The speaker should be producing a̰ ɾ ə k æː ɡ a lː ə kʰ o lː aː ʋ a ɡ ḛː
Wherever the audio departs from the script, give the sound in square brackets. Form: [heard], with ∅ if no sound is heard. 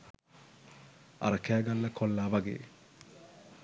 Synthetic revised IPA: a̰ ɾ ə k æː ɡ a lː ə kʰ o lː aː ʋ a ɡ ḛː